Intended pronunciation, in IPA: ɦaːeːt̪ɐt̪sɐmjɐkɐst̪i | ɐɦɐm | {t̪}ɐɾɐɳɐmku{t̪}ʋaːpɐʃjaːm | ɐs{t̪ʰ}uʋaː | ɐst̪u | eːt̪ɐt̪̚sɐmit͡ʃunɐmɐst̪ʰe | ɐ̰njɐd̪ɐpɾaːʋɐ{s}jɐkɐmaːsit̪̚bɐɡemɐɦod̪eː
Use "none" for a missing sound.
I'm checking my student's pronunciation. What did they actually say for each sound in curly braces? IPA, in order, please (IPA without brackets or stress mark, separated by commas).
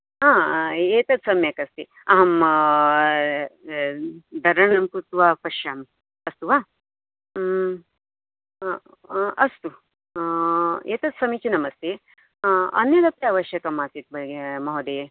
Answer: d̪, t̪, t̪, ʃ